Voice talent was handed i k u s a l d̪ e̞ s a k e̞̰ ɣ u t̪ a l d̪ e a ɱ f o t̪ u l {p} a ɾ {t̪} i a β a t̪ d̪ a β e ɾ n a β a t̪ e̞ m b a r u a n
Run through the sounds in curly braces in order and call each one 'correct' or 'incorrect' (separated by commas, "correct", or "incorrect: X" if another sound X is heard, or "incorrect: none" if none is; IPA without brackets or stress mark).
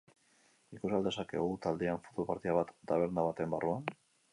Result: correct, correct